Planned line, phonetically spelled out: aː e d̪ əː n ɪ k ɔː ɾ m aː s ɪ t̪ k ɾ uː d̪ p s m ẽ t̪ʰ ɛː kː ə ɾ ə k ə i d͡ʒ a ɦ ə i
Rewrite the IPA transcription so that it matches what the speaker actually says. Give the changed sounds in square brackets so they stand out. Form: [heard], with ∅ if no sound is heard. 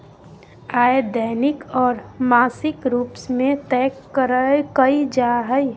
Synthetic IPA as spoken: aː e d̪ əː n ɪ k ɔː ɾ m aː s ɪ [∅] k ɾ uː [∅] p s m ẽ [t̪] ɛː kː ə ɾ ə k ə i d͡ʒ a ɦ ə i